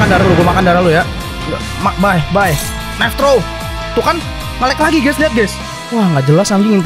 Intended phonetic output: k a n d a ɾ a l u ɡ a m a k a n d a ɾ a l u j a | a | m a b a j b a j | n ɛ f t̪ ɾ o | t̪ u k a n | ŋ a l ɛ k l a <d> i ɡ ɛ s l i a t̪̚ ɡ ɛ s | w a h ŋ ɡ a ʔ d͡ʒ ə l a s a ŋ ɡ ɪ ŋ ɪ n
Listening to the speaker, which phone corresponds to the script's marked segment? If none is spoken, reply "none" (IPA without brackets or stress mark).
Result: ɡ